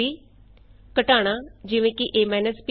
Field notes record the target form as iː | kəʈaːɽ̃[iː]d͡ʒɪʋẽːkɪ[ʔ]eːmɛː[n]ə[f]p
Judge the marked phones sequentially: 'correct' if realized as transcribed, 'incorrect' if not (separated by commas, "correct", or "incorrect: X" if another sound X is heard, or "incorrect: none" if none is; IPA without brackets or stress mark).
incorrect: aː, correct, correct, incorrect: s